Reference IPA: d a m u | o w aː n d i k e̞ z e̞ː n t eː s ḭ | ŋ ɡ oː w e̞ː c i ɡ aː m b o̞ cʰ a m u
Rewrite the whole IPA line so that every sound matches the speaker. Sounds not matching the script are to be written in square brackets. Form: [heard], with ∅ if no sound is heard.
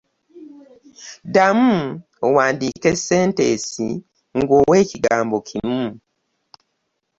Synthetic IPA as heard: d a m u | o w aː n d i k e̞ [s] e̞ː n t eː s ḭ | ŋ ɡ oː w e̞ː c i ɡ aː m b o̞ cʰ [i] m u

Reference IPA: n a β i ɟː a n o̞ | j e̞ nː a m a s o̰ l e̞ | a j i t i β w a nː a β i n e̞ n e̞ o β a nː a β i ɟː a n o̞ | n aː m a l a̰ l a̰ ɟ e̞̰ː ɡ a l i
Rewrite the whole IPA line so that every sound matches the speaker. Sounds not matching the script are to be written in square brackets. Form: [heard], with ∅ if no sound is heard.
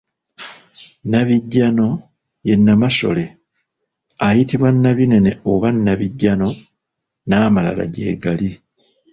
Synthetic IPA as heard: n a β i ɟː a n o̞ | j e̞ nː a m a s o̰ l e̞ | a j i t i β w a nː a β i n e̞ n e̞ o β a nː a β i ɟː a n o̞ | n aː m a l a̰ l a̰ ɟ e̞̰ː ɡ a l i

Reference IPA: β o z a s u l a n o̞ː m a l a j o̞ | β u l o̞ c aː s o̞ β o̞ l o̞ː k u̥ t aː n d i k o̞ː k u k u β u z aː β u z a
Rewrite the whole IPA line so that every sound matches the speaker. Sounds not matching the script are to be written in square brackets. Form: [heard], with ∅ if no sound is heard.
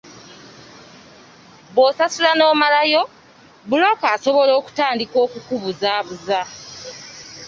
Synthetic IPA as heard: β o [s] a s u l a n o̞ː m a l a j o̞ | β u l o̞ [k] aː s o̞ β o̞ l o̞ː k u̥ t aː n d i k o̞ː k u k u β u z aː β u z a

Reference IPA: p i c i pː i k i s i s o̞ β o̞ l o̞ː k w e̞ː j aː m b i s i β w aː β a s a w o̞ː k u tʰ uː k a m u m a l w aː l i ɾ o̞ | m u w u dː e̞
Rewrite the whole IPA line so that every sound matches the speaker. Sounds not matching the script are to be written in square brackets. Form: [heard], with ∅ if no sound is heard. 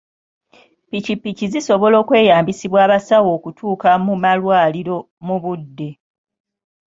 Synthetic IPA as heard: p i c i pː i [c] i [z] i s o̞ β o̞ l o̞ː k w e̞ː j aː m b i s i β w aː β a s a w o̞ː k u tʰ uː k a m u m a l w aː l i ɾ o̞ | m u [β] u dː e̞

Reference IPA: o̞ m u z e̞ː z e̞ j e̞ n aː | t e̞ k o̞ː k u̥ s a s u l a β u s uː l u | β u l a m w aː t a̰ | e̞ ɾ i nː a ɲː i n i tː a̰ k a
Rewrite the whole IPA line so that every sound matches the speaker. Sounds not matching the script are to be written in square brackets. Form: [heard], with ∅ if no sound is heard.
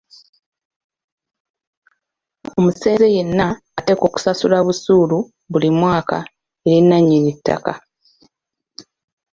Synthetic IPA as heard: o̞ m u [s] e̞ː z e̞ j e̞ [nː] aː | t e̞ k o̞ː k u̥ s a s u l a β u s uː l u | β u l [i] m w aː [k] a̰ | e̞ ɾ i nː a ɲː i n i tː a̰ k a

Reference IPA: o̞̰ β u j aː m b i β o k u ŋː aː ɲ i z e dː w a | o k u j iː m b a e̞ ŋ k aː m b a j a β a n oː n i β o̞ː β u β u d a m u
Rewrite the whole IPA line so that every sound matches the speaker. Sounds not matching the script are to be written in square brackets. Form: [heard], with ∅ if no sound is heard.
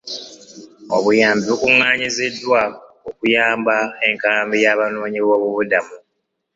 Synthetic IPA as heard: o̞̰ β u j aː m b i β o k u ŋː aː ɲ i z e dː w a | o k u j [aː] m b a e̞ ŋ k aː m b [i] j a β a n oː [ɲ] i β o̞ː β u β u d a m u

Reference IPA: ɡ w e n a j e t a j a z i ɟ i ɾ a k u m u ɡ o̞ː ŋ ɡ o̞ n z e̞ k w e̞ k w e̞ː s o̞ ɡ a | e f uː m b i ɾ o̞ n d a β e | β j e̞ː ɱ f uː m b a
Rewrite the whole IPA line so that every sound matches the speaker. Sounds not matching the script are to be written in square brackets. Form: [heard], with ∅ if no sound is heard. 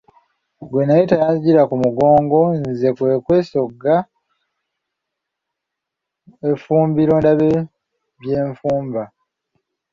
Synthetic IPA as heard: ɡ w e n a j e t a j a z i ɟ i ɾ a k u m u ɡ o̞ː ŋ ɡ o̞ n z e̞ k w e̞ k w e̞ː s o̞ ɡ a | e f uː m b i ɾ o̞ n d a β e | β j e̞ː ɱ f uː m b a

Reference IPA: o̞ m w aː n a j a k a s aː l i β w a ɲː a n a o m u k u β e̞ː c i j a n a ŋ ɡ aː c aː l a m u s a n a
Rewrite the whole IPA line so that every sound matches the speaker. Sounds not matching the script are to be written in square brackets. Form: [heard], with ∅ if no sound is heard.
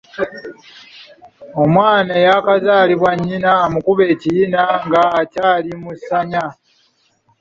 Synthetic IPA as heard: o̞ m w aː n a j a k a [z] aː l i β w a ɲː [i] n a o m u k u β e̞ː c i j [i] n a ŋ ɡ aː c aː l [i] m u s a [ɲ] a

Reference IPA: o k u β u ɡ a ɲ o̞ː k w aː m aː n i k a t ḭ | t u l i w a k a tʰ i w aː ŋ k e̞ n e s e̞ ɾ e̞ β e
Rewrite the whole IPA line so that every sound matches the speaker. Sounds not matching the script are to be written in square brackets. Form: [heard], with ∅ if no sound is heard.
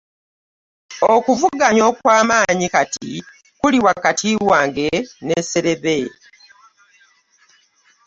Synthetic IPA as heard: o k u [v] u ɡ a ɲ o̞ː k w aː m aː [ɲ] i k a t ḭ | [k] u l i w a k a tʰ i w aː ŋ [ɡ] e̞ n e s e̞ ɾ e̞ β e

